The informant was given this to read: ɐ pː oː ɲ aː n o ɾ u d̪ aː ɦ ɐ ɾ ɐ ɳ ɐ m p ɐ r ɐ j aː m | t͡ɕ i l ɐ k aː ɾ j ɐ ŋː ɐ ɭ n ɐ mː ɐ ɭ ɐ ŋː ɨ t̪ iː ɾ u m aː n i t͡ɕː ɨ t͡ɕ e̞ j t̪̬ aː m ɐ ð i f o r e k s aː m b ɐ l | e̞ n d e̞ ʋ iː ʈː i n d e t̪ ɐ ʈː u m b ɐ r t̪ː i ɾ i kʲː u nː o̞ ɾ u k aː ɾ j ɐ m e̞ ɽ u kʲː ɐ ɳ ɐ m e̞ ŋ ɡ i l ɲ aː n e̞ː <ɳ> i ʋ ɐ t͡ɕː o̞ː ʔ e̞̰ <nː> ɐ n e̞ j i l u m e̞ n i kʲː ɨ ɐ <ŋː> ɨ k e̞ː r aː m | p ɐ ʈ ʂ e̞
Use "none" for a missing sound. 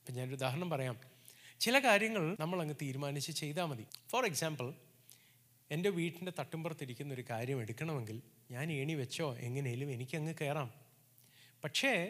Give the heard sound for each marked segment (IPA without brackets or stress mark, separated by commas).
ɳ, ŋː, ŋː